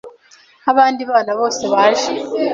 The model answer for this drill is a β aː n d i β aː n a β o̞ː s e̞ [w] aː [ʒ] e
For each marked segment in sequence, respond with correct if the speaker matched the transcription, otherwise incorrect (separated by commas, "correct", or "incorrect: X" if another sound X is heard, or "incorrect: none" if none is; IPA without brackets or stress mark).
incorrect: β, correct